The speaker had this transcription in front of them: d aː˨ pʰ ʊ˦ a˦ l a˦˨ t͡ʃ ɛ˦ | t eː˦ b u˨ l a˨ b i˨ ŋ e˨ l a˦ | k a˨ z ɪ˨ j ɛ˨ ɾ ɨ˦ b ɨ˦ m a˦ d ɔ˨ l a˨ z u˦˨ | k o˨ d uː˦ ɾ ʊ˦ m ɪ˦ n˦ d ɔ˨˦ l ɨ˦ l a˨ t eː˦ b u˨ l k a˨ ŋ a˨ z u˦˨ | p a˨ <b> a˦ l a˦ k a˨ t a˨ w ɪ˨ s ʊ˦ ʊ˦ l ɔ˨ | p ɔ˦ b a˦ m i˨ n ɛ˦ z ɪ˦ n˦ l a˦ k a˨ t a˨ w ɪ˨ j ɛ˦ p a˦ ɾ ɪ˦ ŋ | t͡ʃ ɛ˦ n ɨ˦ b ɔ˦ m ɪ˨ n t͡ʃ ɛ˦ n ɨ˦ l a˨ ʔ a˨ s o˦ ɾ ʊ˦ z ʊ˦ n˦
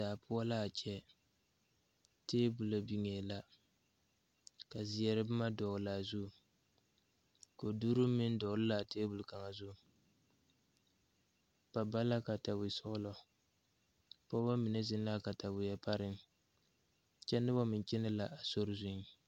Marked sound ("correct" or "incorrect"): correct